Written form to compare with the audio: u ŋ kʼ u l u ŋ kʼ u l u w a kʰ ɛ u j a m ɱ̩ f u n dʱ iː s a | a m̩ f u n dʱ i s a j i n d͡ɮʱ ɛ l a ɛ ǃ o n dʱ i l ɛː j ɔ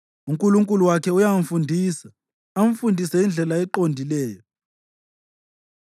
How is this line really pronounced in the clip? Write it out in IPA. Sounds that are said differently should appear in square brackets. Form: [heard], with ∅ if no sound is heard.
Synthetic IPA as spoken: u ŋ kʼ u l u ŋ kʼ u l u w a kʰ ɛ u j a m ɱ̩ f u n dʱ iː s a | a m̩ f u n dʱ i s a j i n d͡ɮʱ ɛ l a ɛ ǃ o n dʱ i l ɛː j ɔ